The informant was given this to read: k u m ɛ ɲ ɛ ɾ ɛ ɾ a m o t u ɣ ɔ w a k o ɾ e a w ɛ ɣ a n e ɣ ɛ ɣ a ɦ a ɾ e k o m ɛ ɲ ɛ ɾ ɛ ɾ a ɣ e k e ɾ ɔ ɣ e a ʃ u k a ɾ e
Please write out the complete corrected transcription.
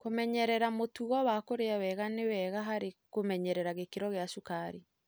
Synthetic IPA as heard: k o m ɛ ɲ ɛ ɾ ɛ ɾ a m o t u ɣ ɔ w a k o ɾ e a w ɛ ɣ a n e w ɛ ɣ a ɦ a ɾ e k o m ɛ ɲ ɛ ɾ ɛ ɾ a ɣ e k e ɾ ɔ ɣ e a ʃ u k a ɾ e